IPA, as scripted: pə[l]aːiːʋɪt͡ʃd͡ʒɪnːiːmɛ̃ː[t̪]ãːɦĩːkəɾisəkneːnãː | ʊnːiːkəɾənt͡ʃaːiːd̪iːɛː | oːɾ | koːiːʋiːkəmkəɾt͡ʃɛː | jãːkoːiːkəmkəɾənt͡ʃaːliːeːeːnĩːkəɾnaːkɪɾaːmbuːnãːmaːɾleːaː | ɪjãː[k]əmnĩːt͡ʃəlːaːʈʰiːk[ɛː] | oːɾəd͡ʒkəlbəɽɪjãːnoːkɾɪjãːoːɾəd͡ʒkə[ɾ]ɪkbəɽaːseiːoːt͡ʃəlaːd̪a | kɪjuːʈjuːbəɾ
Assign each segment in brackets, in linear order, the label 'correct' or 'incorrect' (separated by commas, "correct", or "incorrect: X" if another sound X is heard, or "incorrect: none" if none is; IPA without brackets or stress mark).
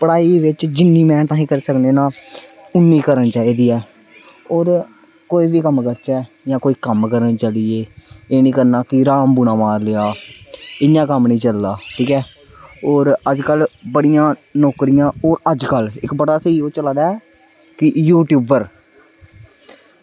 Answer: incorrect: ɽ, correct, correct, correct, incorrect: l